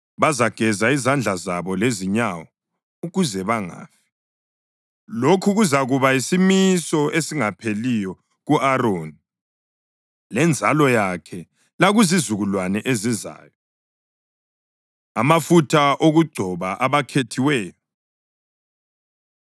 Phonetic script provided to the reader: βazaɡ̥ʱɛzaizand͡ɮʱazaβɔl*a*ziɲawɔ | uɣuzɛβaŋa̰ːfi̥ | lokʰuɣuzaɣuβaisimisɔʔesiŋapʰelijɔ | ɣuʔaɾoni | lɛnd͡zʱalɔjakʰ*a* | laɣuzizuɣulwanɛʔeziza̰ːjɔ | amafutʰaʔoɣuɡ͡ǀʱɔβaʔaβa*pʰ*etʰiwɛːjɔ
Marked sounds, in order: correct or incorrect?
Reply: incorrect: e, incorrect: ɛ, incorrect: kʰ

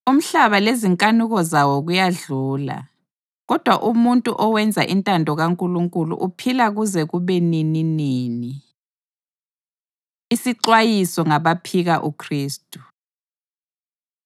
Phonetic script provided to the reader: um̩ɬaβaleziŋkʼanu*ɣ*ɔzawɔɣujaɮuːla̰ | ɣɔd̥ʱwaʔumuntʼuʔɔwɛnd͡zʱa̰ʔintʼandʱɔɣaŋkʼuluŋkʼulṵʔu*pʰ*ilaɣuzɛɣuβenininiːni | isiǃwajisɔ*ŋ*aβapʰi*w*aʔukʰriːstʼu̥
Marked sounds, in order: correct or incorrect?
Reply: correct, correct, correct, incorrect: ɣ

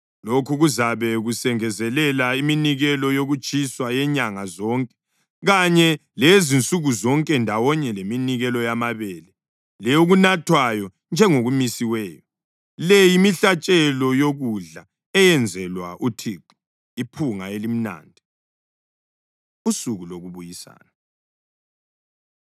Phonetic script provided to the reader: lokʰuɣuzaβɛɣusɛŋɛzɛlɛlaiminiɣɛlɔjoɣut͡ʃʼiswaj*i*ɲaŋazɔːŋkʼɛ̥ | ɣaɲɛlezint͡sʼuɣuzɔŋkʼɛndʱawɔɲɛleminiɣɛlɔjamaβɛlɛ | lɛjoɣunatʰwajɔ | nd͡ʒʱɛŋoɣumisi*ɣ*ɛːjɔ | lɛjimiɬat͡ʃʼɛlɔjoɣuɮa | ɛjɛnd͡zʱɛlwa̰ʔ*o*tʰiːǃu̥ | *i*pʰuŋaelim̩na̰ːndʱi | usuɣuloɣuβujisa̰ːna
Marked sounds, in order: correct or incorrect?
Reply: incorrect: ɛ, incorrect: w, incorrect: u, correct

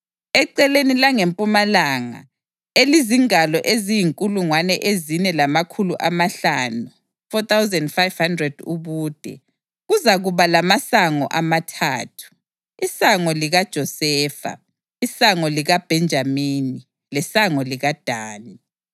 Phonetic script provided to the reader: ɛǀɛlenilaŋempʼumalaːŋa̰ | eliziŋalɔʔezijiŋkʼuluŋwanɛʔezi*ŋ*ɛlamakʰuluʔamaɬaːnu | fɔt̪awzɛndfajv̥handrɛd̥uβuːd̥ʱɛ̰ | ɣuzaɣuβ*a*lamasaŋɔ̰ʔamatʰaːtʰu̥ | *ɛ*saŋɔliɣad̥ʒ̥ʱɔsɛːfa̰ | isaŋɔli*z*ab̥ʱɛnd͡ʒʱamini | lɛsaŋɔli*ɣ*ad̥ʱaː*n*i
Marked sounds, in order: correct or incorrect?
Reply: incorrect: n, correct, incorrect: i, incorrect: ɣ, correct, correct

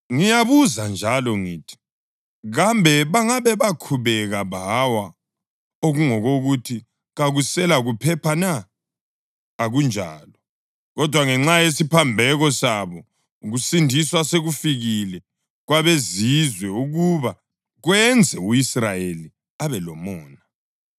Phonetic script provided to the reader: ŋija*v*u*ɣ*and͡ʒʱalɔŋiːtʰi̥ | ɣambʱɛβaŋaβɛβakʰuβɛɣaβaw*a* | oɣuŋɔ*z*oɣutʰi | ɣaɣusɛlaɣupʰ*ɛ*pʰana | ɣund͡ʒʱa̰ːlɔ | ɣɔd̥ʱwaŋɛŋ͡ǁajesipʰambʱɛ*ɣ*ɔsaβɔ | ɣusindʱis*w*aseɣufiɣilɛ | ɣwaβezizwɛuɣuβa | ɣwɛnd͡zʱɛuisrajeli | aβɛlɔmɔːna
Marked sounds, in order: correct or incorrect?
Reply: incorrect: β, incorrect: z, correct, incorrect: ɣ, correct, correct, correct

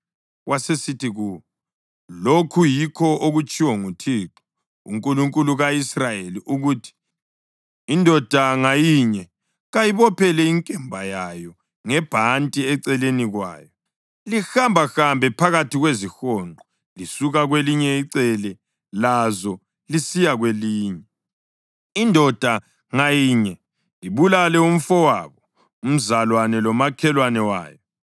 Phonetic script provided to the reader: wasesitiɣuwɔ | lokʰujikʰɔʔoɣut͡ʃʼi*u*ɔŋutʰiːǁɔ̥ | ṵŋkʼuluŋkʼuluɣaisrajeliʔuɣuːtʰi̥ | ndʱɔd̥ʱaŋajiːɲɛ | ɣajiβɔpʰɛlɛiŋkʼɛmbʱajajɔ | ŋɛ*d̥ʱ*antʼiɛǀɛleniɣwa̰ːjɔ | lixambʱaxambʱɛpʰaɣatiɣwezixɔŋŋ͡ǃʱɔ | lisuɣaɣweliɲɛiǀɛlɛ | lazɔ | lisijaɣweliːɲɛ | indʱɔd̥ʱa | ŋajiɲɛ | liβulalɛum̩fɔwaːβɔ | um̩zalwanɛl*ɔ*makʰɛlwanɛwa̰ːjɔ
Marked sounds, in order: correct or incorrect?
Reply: incorrect: w, incorrect: b̥ʱ, correct

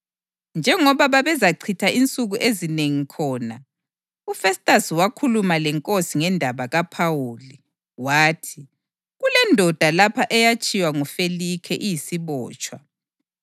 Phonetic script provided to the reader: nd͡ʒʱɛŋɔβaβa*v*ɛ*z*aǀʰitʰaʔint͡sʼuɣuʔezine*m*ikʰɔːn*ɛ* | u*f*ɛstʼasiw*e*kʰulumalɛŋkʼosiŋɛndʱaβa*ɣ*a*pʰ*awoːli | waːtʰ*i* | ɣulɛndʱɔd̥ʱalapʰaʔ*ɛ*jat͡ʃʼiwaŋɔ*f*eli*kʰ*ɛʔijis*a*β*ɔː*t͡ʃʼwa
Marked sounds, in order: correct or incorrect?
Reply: incorrect: β, correct, incorrect: ŋ, incorrect: a, correct, incorrect: a, correct, correct, correct, correct, correct, correct, incorrect: i, correct

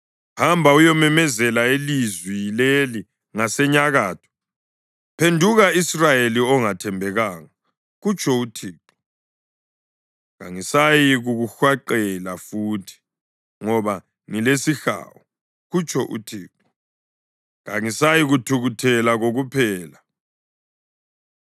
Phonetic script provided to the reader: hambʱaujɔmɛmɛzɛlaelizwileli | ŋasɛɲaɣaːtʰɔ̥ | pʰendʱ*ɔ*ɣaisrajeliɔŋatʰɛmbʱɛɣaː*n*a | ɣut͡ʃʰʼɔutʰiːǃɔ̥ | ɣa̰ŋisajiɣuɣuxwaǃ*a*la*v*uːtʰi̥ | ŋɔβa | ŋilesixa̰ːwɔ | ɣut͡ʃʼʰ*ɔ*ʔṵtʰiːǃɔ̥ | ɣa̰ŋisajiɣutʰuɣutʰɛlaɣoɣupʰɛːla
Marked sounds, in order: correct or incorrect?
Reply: incorrect: u, incorrect: ŋ, incorrect: ɛ, incorrect: f, correct

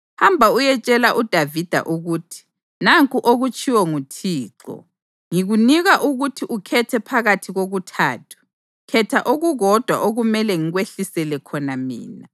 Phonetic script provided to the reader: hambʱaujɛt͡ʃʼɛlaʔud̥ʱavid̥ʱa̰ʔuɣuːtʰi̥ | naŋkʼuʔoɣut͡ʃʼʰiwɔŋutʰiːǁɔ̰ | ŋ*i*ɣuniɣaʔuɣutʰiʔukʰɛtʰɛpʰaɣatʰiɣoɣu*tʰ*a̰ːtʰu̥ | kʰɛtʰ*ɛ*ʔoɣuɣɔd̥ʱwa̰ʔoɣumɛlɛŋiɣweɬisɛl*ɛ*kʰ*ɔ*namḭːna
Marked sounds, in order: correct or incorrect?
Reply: correct, correct, incorrect: a, correct, correct

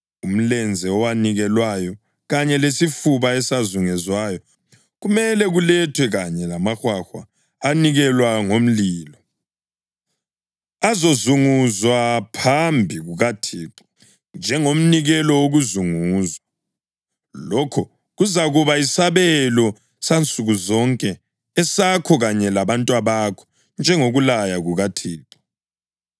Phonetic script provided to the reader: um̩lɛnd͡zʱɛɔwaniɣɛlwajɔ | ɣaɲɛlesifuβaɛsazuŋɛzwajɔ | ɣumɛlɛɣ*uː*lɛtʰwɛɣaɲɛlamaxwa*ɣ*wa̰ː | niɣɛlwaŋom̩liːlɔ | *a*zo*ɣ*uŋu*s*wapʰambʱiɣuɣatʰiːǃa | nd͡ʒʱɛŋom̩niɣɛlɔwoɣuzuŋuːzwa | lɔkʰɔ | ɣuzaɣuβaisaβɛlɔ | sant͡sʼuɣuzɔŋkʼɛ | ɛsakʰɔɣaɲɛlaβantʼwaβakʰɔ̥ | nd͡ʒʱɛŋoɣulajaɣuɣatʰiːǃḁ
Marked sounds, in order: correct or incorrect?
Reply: incorrect: u, incorrect: x, correct, incorrect: z, incorrect: z

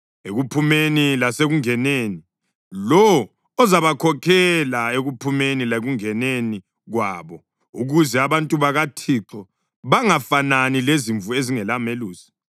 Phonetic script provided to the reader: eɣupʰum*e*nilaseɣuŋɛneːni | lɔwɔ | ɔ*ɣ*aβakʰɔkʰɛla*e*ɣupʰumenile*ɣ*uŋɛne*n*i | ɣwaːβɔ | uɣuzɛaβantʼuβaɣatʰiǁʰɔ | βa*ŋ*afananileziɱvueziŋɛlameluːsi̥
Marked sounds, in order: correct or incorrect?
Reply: correct, incorrect: z, correct, correct, correct, correct

